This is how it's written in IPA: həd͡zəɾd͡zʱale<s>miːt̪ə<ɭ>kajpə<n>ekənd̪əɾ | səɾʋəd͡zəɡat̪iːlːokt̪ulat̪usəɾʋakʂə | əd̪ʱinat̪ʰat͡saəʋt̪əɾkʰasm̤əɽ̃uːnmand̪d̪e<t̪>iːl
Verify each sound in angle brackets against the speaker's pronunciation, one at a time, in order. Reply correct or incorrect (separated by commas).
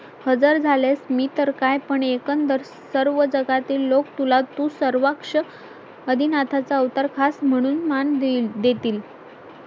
correct, incorrect, incorrect, correct